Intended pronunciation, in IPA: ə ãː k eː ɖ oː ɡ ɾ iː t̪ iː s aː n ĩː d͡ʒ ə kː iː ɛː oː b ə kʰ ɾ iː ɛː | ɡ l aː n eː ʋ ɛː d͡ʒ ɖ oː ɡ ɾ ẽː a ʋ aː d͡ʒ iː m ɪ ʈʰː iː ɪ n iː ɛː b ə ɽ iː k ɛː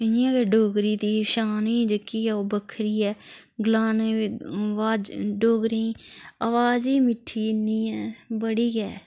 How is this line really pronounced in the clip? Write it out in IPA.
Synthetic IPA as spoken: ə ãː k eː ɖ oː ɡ ɾ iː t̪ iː ʃ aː n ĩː d͡ʒ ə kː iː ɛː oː b ə kʰ ɾ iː ɛː | ɡ l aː n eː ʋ aː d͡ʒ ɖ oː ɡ ɾ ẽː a ʋ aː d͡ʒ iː m ɪ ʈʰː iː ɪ n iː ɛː b ə ɽ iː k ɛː